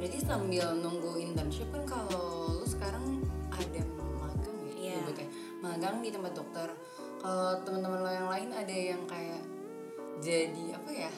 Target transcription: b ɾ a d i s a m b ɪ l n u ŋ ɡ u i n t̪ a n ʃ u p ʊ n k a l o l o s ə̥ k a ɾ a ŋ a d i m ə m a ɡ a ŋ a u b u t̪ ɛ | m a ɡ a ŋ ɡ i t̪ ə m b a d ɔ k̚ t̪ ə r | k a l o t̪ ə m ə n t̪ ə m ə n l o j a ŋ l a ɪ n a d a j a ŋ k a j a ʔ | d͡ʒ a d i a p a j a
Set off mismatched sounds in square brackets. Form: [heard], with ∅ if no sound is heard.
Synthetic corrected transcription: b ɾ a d i s a m b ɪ l n u ŋ ɡ u i n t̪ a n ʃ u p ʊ n k a l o l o s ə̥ k a ɾ a ŋ a d [a] m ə m a ɡ a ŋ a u b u t̪ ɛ | m a ɡ a ŋ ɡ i t̪ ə m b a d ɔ k̚ t̪ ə r | k a l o t̪ ə m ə n t̪ ə m ə n l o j a ŋ l a ɪ n a d a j a ŋ k a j a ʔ | d͡ʒ a d i a p a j a